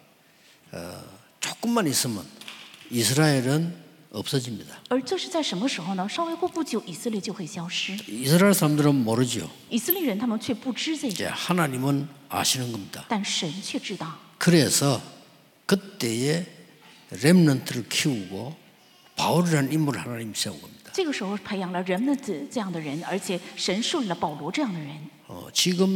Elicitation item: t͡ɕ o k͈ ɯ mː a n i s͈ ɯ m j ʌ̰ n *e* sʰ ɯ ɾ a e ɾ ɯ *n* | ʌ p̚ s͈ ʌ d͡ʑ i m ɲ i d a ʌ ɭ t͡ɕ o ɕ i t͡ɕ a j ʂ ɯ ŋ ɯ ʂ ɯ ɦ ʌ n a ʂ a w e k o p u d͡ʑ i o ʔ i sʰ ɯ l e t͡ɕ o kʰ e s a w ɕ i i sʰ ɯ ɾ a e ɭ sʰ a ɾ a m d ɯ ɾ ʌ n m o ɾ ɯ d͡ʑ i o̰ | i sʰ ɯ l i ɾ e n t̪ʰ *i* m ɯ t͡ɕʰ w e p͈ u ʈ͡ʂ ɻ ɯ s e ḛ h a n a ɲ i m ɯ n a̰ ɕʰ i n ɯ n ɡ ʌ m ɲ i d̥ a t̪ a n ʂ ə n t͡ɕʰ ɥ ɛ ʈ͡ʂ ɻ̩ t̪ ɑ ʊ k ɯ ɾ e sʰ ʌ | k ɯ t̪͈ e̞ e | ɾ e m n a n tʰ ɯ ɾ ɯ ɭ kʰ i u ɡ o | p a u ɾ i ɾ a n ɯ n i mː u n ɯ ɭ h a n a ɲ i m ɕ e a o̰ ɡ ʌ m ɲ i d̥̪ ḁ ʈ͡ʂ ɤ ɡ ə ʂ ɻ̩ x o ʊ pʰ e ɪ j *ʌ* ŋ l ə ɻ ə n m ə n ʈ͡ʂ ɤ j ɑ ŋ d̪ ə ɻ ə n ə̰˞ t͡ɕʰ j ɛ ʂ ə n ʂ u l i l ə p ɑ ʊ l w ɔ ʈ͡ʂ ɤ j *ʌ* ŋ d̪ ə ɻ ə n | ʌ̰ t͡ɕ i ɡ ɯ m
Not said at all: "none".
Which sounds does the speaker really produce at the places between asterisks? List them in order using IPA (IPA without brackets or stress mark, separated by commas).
i, n, a, ɑ, ɑ